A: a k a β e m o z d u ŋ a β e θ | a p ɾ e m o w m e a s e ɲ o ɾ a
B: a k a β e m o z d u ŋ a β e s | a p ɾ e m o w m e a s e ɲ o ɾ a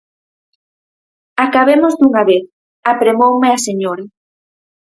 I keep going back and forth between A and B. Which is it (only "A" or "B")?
A